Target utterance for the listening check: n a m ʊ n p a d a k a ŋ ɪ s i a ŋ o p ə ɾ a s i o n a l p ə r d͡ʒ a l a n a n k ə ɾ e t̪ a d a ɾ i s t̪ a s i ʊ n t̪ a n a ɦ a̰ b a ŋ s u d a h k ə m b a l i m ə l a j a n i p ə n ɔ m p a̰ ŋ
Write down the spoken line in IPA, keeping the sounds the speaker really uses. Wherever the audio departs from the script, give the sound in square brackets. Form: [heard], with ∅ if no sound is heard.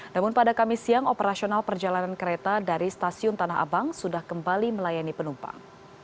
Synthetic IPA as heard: n a m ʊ n p a d a k a [m] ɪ s i a ŋ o p ə ɾ a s i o n a l p ə r d͡ʒ a l a n a n k ə ɾ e t̪ a d a ɾ i s t̪ a s i ʊ n t̪ a n a ɦ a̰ b a ŋ s u d a h k ə m b a l i m ə l a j a n i p ə n [u] m p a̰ ŋ